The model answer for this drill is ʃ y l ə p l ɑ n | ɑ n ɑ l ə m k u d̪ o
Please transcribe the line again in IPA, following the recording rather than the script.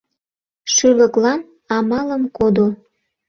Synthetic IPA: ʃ y l ə k l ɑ n | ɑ m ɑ l ə m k o d̪ o